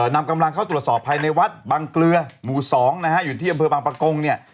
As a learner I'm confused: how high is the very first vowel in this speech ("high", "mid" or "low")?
low